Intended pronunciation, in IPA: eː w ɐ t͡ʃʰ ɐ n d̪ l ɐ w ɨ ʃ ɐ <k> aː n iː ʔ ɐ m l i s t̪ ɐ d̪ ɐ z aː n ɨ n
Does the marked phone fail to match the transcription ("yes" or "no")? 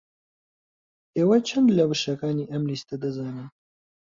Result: no